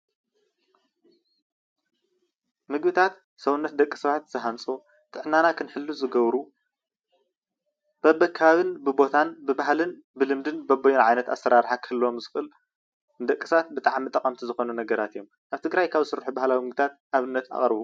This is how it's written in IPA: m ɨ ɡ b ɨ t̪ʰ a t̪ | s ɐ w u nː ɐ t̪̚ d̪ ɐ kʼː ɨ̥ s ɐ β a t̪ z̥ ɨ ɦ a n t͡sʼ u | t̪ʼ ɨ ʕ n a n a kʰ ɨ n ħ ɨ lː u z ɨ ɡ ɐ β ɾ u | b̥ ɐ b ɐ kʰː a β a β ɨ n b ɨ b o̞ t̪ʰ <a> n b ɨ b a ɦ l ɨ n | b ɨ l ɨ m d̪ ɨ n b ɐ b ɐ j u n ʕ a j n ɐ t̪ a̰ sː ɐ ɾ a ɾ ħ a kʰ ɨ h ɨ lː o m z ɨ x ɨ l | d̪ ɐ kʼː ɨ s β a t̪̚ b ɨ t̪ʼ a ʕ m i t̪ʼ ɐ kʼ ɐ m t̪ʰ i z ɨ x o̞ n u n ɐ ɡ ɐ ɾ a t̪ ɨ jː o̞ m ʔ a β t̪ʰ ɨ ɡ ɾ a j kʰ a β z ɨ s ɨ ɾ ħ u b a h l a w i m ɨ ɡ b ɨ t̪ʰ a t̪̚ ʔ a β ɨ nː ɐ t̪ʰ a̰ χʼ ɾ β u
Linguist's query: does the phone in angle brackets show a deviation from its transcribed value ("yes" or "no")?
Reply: no